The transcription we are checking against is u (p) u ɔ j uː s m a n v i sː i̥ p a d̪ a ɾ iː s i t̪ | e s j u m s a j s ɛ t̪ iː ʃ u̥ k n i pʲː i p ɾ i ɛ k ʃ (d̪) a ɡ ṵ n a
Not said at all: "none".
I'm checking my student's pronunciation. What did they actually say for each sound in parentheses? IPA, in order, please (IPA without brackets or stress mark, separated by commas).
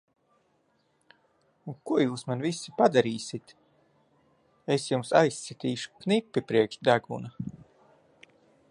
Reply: k, d̪